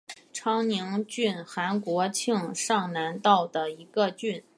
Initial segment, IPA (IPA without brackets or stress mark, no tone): ʈ͡ʂʰ